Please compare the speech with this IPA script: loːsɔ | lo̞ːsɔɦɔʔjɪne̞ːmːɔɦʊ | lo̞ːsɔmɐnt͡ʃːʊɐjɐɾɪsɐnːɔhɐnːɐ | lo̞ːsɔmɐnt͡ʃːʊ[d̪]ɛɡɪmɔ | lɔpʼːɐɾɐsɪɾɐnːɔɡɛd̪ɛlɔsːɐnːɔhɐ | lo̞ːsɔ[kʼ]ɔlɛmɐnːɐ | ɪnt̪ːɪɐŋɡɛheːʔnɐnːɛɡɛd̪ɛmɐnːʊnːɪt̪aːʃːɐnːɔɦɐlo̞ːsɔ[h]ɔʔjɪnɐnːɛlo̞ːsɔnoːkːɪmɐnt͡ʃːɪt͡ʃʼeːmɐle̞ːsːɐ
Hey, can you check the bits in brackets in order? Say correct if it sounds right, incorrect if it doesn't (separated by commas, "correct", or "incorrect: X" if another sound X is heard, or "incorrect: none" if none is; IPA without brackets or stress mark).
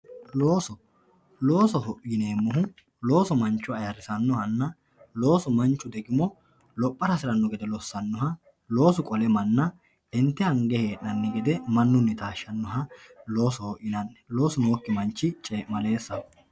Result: correct, correct, correct